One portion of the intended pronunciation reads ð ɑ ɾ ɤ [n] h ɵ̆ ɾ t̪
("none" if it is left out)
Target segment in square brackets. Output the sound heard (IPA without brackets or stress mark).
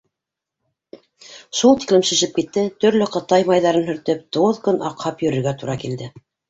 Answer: n